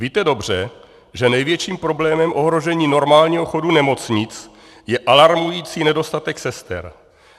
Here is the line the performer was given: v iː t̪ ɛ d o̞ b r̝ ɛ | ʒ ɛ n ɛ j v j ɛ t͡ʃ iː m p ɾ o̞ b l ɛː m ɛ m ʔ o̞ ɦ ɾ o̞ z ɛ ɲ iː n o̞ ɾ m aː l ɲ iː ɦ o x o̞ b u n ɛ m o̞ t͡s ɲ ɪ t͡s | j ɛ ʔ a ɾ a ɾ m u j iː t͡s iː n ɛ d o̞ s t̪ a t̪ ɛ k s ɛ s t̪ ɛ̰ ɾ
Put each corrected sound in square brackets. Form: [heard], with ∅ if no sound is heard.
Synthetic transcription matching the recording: v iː t̪ ɛ d o̞ b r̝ ɛ | ʒ ɛ n ɛ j v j ɛ t͡ʃ iː m p ɾ o̞ b l ɛː m ɛ m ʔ o̞ ɦ ɾ o̞ [ʒ] ɛ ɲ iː n o̞ ɾ m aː l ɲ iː ɦ o x o̞ [d] u n ɛ m o̞ t͡s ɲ ɪ t͡s | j ɛ ʔ a [l] a ɾ m u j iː t͡s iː n ɛ d o̞ s t̪ a t̪ ɛ k s ɛ s t̪ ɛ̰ ɾ